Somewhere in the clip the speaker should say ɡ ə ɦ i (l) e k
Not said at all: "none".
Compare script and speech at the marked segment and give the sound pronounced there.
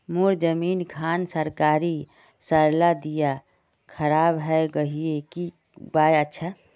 none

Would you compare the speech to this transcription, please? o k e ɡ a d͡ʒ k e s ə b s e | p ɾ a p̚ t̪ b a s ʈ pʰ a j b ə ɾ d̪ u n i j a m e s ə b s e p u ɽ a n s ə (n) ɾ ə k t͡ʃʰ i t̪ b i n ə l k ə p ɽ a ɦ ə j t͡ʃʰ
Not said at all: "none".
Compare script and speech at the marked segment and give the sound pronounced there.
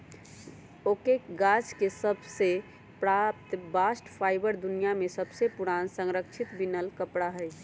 ŋ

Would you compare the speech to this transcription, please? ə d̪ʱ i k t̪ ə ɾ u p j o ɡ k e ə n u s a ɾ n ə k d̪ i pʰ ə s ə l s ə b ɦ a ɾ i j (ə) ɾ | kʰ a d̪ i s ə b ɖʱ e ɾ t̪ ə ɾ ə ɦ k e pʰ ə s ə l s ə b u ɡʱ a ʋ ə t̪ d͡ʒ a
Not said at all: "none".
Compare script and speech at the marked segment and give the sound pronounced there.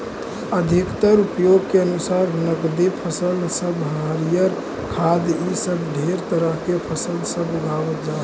ə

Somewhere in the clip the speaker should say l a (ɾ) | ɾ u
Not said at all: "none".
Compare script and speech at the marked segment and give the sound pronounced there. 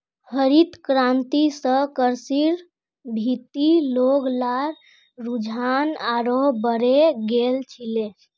ɾ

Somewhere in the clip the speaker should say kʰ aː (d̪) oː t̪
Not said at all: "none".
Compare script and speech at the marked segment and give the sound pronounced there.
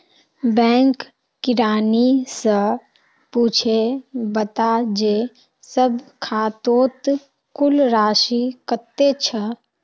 t̪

